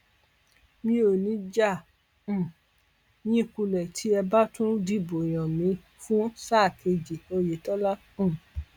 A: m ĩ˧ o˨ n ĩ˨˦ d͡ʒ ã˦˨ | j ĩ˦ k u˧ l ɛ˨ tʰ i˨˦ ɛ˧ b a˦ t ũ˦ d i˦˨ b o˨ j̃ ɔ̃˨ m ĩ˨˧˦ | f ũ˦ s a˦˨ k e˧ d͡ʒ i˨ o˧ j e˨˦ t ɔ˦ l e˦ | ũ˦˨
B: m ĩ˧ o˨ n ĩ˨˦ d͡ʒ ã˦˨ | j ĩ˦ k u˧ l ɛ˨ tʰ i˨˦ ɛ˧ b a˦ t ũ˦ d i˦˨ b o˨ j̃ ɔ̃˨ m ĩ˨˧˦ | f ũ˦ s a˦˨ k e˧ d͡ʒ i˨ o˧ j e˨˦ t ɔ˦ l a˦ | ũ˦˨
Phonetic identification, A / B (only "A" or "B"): B